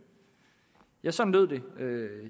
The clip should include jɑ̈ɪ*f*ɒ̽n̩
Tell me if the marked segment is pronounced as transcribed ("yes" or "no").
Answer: no